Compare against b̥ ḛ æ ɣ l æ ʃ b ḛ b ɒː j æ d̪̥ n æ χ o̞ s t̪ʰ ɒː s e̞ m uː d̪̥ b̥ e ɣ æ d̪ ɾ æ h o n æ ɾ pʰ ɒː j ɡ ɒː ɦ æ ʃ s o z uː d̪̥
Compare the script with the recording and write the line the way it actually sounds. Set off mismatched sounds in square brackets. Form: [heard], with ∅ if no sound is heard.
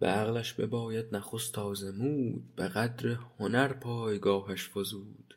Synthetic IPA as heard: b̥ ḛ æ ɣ l æ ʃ b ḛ b ɒː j æ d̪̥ n æ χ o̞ s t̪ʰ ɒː [z] e̞ m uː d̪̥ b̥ e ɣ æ d̪ ɾ [e] h o n æ ɾ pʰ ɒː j ɡ ɒː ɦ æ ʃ [f] o z uː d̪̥